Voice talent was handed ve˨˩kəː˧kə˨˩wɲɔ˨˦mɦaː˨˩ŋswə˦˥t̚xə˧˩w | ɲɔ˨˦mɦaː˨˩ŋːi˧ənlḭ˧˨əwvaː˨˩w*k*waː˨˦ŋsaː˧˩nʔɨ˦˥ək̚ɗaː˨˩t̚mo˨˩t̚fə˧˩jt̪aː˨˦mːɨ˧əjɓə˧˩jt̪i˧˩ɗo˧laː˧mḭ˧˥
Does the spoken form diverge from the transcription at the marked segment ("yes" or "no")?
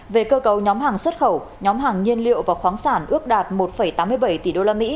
yes